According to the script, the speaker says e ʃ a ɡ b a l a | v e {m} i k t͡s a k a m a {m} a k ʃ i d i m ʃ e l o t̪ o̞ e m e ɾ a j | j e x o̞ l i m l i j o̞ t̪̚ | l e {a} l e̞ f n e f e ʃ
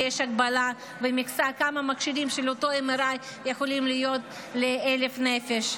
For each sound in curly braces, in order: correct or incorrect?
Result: correct, correct, incorrect: e

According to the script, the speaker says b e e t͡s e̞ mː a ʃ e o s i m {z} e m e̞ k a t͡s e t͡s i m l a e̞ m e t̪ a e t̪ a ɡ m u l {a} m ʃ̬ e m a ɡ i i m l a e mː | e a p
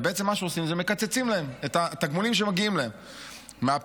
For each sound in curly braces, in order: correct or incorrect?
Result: correct, incorrect: i

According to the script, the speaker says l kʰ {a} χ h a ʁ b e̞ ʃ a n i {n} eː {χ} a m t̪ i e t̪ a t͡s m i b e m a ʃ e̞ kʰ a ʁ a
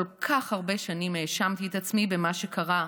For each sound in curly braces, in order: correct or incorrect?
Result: correct, incorrect: m, incorrect: ʃ

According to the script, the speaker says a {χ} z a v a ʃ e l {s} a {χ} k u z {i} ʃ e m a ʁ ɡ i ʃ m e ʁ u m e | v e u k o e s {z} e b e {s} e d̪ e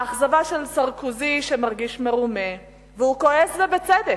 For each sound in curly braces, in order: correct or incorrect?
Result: correct, correct, incorrect: ʁ, correct, correct, incorrect: t͡s

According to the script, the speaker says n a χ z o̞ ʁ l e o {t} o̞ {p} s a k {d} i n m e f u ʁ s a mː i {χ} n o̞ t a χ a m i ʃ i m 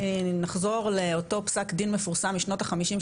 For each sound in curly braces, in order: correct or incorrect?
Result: correct, correct, correct, incorrect: ʃ

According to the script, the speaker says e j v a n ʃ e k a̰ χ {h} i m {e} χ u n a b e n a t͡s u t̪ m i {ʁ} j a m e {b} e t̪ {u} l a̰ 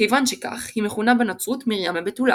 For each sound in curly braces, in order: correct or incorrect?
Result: correct, correct, correct, correct, correct

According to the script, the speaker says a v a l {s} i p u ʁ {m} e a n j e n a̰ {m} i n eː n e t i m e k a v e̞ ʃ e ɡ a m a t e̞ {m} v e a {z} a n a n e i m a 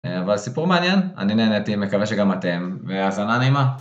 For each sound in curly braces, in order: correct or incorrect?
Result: correct, correct, incorrect: n, correct, correct

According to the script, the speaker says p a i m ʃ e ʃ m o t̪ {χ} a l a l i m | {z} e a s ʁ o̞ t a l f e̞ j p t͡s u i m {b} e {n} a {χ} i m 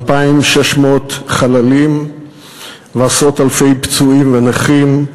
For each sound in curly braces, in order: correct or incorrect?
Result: correct, incorrect: v, incorrect: v, correct, correct

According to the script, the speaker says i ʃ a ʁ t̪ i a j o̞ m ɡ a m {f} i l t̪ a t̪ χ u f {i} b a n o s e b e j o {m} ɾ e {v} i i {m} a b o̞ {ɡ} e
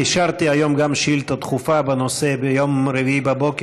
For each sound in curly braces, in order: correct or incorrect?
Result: incorrect: ʃ, incorrect: a, correct, correct, incorrect: b, incorrect: k

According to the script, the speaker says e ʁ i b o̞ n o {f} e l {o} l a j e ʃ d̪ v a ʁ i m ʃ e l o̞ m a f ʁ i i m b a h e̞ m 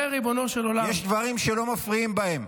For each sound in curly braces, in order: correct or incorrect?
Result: incorrect: ʃ, correct

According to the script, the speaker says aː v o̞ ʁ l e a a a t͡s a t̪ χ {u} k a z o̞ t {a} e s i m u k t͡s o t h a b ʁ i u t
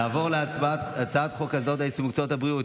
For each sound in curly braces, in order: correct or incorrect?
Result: incorrect: o, correct

